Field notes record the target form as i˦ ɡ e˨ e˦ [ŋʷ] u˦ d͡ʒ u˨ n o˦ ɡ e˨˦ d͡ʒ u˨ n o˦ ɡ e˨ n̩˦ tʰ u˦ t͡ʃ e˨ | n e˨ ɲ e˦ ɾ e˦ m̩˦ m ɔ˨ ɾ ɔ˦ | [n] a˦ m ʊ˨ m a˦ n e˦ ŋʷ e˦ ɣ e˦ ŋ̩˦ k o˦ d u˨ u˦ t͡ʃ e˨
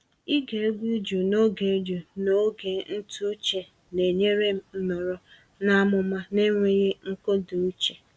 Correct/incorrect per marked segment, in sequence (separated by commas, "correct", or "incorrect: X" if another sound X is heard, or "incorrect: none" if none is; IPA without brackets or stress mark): incorrect: ɡʷ, correct